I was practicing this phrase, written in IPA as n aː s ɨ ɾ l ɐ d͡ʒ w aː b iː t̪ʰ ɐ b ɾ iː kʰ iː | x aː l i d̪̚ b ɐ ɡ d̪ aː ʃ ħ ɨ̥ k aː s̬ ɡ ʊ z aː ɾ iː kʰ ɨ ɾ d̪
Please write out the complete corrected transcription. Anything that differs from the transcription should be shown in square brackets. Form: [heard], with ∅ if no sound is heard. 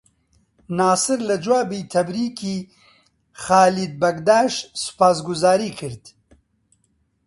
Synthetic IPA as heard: n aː s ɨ ɾ l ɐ d͡ʒ w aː b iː t̪ʰ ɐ b ɾ iː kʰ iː | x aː l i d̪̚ b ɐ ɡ d̪ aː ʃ [s] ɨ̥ [p] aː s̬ ɡ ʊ z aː ɾ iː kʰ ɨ ɾ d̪

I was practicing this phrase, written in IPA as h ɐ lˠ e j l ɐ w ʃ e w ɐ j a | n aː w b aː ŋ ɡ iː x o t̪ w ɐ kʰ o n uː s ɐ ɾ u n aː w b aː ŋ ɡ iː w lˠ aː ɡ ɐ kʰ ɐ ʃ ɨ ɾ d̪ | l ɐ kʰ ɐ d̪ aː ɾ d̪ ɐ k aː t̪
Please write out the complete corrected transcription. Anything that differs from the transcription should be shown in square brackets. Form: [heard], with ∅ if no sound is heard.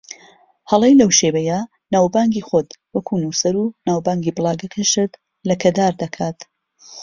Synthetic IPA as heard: h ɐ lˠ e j l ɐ w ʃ e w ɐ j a | n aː w b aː ŋ ɡ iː x o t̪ w ɐ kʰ [u] n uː s ɐ ɾ u n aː w b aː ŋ ɡ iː [b] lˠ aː ɡ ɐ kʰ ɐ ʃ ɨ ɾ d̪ | l ɐ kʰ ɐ d̪ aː ɾ d̪ ɐ [kʰ] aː t̪

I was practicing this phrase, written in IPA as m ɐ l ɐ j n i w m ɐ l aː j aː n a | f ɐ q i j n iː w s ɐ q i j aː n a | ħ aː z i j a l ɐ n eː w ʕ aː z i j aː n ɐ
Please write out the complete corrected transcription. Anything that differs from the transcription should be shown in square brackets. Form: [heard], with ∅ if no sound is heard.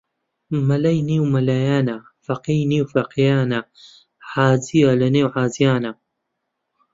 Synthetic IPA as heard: m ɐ l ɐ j n i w m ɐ l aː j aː n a | f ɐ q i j n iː w [f] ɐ q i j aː n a | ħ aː z i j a l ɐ n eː w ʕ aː z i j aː n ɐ

